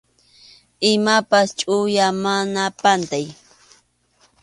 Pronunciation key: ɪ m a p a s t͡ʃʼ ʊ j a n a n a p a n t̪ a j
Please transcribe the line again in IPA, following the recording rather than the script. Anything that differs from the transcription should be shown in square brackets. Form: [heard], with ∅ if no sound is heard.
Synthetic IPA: ɪ m a p a s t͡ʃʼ ʊ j a [m] a n a p a n t̪ a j